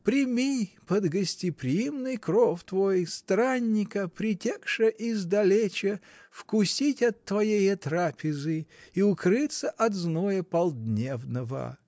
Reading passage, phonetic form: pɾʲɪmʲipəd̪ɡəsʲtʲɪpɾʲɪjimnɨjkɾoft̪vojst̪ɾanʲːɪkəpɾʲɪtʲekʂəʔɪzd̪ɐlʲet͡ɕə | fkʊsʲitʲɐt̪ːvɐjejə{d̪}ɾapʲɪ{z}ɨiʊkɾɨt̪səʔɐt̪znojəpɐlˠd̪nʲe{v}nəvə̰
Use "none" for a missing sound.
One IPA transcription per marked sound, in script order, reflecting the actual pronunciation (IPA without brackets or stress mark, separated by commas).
t̪, z, v